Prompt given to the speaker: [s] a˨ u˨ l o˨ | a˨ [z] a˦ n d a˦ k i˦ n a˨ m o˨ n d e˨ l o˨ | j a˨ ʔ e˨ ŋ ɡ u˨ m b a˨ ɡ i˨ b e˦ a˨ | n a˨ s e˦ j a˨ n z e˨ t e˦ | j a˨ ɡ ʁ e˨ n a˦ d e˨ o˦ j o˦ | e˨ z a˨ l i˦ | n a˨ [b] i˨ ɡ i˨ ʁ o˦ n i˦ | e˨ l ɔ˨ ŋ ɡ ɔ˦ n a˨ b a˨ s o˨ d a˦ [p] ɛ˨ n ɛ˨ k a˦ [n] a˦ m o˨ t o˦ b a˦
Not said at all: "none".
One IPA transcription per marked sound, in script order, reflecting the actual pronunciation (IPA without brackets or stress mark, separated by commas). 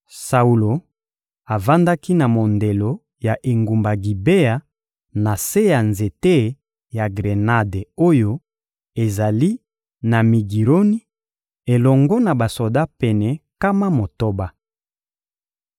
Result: s, v, m, p, m